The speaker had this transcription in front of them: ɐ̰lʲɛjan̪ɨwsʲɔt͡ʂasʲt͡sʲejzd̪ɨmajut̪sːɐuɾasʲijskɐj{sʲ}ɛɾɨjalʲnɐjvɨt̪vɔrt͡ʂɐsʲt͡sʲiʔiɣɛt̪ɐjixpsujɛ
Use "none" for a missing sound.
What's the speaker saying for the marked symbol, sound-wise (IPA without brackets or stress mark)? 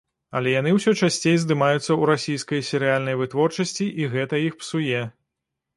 sʲ